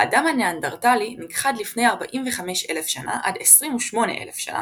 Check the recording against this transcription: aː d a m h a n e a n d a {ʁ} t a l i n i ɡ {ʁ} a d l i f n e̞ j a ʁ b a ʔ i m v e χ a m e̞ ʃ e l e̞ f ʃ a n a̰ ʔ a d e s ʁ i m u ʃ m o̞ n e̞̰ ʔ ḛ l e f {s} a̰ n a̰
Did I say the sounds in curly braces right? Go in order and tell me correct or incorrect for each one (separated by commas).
correct, incorrect, incorrect